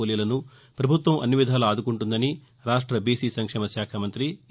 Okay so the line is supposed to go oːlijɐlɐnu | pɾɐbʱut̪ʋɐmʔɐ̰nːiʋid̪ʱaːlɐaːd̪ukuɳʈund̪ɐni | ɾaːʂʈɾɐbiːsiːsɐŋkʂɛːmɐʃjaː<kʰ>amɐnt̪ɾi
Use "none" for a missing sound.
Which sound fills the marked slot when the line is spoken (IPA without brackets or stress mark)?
kʰ